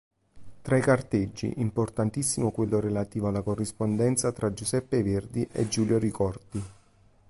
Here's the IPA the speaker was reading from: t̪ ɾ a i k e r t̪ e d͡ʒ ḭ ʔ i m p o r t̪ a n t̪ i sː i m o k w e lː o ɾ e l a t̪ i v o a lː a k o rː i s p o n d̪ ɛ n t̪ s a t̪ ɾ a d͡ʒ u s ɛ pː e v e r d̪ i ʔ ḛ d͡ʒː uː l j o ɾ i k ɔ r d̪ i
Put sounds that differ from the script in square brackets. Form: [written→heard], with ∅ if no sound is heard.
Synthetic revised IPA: t̪ ɾ a i k [e→a] r t̪ e [d͡ʒ→d͡ʒː] ḭ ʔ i m p o r t̪ a n t̪ i sː i m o k w e lː o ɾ e l a t̪ [i→iː] v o a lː a k o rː i s p o n d̪ ɛ n t̪ s a t̪ ɾ a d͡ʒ u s ɛ pː e v e r d̪ i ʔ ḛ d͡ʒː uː l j o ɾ i k ɔ r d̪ i